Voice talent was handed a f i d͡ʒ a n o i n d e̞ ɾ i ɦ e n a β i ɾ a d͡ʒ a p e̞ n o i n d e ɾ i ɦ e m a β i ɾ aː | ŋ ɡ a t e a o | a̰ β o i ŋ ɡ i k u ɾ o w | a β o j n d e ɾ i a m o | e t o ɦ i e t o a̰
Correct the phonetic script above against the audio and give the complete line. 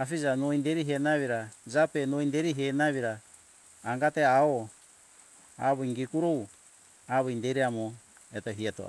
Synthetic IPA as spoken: a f i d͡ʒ a n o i n d e̞ ɾ i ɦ e n a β i ɾ a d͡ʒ a p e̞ n o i n d e ɾ i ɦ e n a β i ɾ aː | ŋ ɡ a t e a o | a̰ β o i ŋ ɡ i k u ɾ o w | a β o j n d e ɾ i a m o | e t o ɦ i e t o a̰